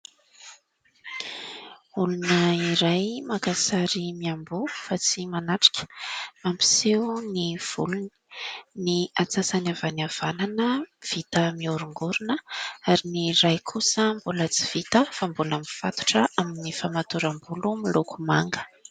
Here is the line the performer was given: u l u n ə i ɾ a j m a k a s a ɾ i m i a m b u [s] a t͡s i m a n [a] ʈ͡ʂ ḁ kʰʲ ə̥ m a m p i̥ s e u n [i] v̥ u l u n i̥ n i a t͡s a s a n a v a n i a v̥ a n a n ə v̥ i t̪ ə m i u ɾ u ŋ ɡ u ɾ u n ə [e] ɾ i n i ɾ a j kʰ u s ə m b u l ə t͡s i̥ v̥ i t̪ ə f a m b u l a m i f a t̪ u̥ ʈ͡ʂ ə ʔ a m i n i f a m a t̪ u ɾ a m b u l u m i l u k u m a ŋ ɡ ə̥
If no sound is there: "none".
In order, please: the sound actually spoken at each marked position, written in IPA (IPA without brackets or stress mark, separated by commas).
f, a, i, a